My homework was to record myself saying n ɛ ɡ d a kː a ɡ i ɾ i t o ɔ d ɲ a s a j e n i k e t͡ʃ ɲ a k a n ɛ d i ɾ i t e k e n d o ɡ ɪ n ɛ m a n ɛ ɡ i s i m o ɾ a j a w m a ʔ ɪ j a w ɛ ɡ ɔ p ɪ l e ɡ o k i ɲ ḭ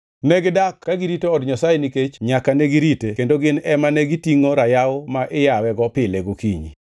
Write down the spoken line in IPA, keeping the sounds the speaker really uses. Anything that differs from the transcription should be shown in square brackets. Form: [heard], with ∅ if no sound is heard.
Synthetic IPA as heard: n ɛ ɡ d a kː a ɡ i ɾ i t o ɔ d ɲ a s a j e n i k e t͡ʃ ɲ a k a n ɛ [ɡ] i ɾ i t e k e n d o ɡ ɪ n ɛ m a n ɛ ɡ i [t] i [ŋ] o ɾ a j a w m a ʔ ɪ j a w ɛ ɡ ɔ p ɪ l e ɡ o k i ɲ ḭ